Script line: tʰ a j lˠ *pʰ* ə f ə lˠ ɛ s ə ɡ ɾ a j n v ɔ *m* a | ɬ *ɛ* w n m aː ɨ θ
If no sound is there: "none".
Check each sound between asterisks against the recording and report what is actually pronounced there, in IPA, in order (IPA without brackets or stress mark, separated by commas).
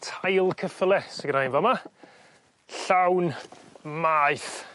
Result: kʰ, m, a